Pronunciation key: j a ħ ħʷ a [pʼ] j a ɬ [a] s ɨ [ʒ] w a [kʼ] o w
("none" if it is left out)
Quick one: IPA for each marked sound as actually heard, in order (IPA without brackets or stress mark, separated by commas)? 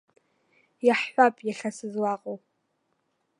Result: pʼ, a, z, qʼ